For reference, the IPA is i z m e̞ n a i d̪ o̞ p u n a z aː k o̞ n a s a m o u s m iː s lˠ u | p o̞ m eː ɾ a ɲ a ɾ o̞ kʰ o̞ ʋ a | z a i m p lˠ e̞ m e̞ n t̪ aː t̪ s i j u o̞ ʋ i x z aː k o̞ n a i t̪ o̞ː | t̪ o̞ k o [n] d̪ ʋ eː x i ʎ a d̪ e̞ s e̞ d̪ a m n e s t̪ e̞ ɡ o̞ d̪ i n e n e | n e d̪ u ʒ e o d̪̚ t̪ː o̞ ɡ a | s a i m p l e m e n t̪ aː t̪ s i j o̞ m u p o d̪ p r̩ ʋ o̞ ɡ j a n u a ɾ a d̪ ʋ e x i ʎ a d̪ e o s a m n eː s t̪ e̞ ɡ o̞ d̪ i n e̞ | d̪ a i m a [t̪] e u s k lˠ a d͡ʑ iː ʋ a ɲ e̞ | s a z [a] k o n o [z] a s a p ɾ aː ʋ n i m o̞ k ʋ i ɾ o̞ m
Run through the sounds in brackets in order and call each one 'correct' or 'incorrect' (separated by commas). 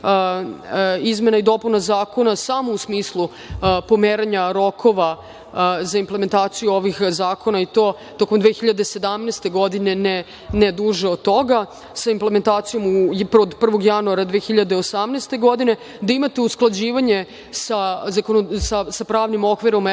incorrect, correct, correct, incorrect